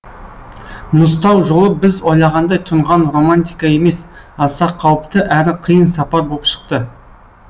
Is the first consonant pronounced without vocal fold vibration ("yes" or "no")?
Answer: no